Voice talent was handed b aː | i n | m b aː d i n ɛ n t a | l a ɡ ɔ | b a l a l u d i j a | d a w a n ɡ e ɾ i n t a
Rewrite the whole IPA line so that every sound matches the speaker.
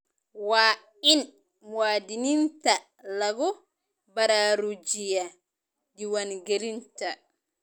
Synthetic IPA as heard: w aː | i n | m w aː d i n i n t a | l a ɡ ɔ | b a ɾ a ɾ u d͡ʒ i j a | d i w a n ɡ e ɾ i n t a